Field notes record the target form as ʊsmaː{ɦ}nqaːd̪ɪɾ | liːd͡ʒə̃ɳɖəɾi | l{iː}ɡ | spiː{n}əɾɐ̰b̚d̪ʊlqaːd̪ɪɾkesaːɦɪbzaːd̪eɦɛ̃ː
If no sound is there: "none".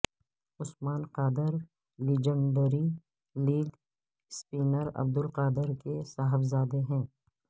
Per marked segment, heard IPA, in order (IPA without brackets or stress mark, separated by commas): none, iː, n